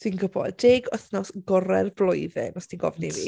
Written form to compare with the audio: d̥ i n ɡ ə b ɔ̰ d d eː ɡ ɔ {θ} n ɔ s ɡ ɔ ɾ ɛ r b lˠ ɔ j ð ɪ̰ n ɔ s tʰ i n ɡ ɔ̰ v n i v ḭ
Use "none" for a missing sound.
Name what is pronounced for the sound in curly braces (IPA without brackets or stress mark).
θ